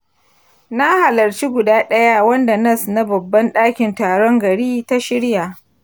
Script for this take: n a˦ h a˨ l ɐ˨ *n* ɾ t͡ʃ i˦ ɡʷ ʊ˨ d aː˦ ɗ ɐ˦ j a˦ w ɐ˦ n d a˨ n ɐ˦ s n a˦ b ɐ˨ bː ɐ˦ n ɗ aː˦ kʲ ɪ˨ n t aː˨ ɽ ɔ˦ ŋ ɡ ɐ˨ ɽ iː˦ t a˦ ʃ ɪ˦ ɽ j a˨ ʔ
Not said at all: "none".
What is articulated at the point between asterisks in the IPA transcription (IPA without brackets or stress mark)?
none